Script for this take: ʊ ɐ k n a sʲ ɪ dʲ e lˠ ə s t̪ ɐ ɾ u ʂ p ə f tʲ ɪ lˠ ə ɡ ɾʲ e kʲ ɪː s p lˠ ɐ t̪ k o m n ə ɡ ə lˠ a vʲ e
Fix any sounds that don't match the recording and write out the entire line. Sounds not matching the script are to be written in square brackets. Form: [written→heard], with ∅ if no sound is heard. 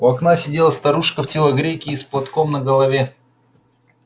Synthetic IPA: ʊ ɐ k n a sʲ ɪ dʲ e lˠ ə s t̪ ɐ ɾ u ʂ [p→k] ə f tʲ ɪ lˠ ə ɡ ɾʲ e kʲ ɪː s p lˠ ɐ t̪ k o m n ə ɡ ə lˠ [a→ɐ] vʲ e